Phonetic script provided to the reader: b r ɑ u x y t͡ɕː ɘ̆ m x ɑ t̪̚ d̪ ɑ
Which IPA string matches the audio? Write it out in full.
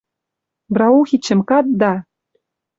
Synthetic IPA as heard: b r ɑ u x i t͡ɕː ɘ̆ m k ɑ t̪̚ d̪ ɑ